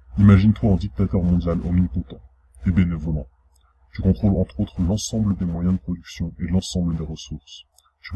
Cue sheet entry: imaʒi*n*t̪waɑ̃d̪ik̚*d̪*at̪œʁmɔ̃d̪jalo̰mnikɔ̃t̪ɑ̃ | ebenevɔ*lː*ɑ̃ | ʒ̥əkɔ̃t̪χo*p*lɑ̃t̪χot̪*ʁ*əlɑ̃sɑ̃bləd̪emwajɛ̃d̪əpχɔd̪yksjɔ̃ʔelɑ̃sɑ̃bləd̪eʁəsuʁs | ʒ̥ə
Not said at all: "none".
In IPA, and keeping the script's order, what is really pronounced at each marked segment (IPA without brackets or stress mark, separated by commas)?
n, t̪, l, none, χ